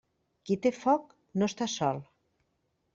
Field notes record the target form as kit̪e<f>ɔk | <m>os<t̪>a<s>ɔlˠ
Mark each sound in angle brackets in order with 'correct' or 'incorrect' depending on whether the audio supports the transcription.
correct, incorrect: n, correct, correct

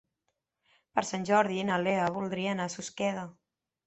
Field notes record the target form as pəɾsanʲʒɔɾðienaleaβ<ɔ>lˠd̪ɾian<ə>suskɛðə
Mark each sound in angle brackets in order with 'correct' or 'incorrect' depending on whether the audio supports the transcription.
incorrect: u, incorrect: a

